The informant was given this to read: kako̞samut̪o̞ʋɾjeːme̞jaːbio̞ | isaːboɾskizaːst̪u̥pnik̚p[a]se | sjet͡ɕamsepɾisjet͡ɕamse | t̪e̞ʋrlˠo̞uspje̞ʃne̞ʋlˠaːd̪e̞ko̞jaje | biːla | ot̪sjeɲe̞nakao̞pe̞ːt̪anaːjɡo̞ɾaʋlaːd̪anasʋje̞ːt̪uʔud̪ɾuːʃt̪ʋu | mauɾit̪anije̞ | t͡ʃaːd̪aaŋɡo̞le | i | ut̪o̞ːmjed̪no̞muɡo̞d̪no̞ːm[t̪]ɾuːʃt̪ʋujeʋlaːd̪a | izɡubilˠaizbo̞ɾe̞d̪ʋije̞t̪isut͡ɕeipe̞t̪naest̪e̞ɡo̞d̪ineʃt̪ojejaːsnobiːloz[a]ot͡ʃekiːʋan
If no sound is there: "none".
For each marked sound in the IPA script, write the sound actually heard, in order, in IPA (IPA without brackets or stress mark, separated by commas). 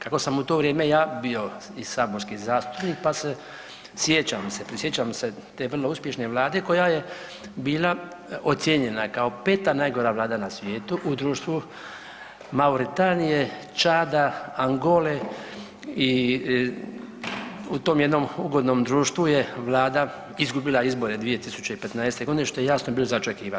a, d̪, a